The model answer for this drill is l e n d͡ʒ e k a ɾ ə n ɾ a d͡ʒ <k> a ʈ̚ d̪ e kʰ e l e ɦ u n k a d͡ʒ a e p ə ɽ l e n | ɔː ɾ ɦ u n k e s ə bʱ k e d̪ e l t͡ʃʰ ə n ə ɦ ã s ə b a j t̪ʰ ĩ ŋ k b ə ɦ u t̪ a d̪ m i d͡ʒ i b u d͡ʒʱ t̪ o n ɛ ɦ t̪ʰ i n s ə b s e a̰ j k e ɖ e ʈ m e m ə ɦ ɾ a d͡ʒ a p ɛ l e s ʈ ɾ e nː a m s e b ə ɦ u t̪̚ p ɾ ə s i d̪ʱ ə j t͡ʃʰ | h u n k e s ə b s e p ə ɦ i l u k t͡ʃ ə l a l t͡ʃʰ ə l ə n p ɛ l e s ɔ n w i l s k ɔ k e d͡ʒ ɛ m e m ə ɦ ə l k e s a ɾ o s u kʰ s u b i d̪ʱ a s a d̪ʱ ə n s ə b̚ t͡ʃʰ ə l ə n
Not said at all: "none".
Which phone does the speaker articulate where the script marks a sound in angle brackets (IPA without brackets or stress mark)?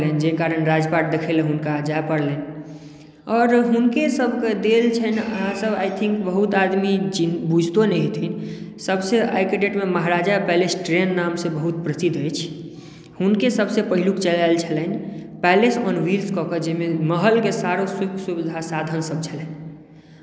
p